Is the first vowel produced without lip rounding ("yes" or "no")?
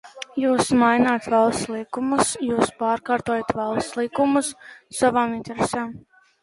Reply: no